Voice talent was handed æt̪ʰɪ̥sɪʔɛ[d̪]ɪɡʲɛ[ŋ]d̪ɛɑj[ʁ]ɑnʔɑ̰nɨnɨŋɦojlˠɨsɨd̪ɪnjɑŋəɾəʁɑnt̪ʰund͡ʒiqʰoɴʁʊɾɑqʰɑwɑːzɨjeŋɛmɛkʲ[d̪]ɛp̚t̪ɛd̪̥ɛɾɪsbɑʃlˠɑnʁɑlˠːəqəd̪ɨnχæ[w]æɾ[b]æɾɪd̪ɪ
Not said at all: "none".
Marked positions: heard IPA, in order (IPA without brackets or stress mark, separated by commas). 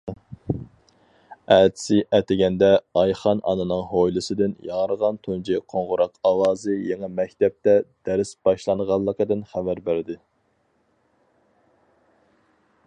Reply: t̪, n, χ, t̪, v, b